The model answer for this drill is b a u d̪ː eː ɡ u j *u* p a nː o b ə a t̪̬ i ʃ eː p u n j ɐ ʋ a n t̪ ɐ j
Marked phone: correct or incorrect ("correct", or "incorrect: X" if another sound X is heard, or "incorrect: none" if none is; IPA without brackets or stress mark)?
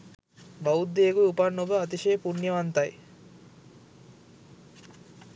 correct